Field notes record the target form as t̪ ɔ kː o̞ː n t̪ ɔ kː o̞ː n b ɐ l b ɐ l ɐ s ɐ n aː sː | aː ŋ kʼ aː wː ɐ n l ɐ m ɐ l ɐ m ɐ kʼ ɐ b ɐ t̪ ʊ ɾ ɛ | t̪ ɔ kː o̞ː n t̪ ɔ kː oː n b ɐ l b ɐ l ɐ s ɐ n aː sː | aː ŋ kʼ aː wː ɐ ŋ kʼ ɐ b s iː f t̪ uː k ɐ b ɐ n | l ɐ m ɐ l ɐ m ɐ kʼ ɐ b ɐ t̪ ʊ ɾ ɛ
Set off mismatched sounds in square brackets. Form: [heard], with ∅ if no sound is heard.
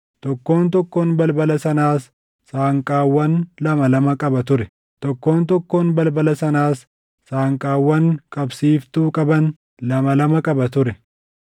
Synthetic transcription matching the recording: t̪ ɔ kː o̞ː n t̪ ɔ kː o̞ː n b ɐ l b ɐ l ɐ s ɐ n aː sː | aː ŋ kʼ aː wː ɐ n l ɐ m ɐ l ɐ m ɐ kʼ ɐ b ɐ t̪ ʊ ɾ ɛ | t̪ ɔ kː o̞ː n t̪ ɔ kː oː n b ɐ l b ɐ l ɐ s ɐ n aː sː | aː ŋ kʼ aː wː ɐ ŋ kʼ ɐ b s iː f t̪ uː [kʼ] ɐ b ɐ n | l ɐ m ɐ l ɐ m ɐ kʼ ɐ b ɐ t̪ ʊ ɾ ɛ